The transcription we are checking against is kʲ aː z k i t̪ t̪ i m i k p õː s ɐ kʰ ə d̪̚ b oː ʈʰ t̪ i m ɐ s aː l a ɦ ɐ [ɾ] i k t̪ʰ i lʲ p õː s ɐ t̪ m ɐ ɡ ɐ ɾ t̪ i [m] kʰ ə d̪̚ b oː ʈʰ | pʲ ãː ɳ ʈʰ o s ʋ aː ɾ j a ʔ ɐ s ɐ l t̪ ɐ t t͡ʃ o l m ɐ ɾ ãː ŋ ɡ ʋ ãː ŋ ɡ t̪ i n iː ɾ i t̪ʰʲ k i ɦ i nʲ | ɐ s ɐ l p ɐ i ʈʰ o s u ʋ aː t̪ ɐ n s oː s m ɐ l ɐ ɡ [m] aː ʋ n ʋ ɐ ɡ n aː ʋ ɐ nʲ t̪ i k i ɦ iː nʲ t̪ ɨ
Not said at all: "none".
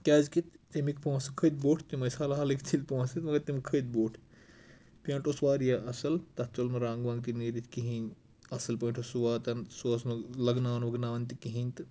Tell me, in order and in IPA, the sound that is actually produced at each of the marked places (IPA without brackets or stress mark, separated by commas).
l, m, n